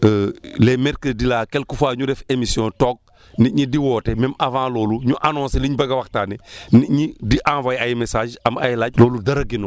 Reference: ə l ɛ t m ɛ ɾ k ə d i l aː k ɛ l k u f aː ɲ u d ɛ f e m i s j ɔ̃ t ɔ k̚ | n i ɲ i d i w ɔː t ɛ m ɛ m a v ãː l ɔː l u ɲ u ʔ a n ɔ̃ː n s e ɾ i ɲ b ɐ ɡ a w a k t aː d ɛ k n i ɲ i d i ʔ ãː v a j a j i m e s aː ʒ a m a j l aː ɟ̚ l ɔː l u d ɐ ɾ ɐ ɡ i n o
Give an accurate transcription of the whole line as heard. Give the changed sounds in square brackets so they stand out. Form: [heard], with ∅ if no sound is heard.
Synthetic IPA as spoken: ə l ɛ [∅] m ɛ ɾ k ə d i l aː k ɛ l k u f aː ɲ u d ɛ f e m i s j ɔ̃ t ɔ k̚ | n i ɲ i d i w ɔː t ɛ m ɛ m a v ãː l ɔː l u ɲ u ʔ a n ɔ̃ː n s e [l] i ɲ b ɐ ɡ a w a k t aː [n] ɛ [∅] n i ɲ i d i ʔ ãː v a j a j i m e s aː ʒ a m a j l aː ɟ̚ l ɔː l u d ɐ ɾ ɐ ɡ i n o